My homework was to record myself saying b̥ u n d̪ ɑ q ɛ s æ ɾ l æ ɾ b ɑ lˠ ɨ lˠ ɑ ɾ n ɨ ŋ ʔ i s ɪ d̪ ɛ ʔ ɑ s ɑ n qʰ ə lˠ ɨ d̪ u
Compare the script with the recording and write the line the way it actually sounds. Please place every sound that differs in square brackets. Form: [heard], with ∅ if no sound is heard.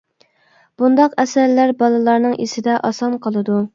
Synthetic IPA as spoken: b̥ u n d̪ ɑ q ɛ s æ ɾ l æ ɾ b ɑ lˠ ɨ lˠ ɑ ɾ n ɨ ŋ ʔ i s ɪ d̪ ɛ ʔ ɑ s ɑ n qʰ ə lˠ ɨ d̪ u